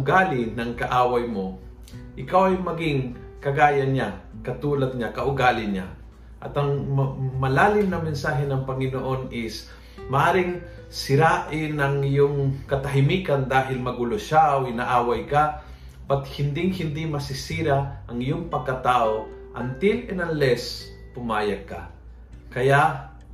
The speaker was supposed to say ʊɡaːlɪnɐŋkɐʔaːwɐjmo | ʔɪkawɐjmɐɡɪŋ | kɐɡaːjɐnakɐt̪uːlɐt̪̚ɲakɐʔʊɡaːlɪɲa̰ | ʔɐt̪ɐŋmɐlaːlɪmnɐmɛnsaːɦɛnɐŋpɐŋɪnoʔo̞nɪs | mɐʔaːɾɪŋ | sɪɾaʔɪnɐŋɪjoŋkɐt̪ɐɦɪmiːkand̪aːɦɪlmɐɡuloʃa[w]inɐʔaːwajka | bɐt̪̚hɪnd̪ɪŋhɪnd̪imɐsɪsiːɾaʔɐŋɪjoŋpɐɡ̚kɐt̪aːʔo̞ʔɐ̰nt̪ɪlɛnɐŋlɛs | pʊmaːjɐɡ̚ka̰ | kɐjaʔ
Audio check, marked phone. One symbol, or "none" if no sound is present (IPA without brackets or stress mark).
w